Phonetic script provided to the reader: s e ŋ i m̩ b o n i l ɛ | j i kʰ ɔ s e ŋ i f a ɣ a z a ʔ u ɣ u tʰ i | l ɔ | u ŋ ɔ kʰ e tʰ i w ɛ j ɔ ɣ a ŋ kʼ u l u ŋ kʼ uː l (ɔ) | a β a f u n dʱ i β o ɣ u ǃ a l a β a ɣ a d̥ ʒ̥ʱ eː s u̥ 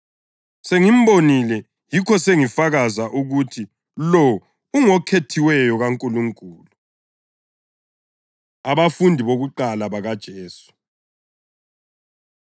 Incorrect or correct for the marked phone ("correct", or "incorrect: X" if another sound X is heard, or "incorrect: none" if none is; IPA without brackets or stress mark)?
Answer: incorrect: u